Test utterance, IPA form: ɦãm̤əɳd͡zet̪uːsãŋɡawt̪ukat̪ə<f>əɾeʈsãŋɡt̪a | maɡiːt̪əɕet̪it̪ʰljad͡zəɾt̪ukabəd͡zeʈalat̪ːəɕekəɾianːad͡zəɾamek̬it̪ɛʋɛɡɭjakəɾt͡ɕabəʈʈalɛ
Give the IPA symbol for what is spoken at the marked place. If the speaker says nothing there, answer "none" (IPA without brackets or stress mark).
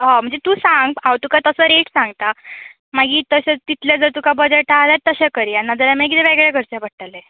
s